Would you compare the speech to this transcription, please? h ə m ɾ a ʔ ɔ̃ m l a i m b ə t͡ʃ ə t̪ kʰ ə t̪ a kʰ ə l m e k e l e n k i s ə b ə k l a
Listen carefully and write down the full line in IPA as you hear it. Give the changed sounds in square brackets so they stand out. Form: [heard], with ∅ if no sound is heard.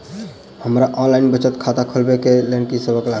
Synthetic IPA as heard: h ə m ɾ a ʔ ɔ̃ [n] l a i [n] b ə t͡ʃ ə t̪ kʰ [a] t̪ a kʰ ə l [b] e k e l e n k i s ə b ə k l a